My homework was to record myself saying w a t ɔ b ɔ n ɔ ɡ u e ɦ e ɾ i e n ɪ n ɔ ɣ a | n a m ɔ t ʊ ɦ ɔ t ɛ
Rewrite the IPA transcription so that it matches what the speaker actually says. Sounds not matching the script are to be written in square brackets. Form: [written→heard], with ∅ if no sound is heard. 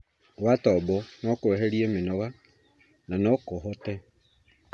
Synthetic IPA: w a t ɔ b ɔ n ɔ [ɡ→k] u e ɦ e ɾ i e [n→m] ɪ n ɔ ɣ a | n a [m→n] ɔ [t→k] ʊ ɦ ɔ t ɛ